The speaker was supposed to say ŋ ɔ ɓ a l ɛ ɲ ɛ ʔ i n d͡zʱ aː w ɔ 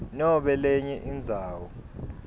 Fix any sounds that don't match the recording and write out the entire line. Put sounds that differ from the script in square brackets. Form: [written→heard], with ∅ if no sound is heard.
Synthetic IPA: [ŋ→n] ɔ ɓ [a→ɛ] l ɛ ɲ ɛ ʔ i n d͡zʱ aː w ɔ